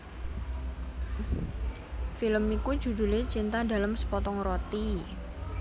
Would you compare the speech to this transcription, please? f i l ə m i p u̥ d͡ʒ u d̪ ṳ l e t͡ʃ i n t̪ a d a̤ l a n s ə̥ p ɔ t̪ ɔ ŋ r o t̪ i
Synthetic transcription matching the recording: f i l ə m i k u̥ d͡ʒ u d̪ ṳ l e t͡ʃ i n t̪ a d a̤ l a m s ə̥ p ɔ t̪ ɔ ŋ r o t̪ i